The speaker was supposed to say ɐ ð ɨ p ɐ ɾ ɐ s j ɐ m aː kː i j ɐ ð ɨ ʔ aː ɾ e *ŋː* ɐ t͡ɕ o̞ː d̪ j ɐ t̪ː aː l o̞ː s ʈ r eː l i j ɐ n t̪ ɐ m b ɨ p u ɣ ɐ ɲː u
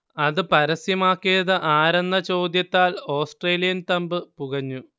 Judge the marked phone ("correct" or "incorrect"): incorrect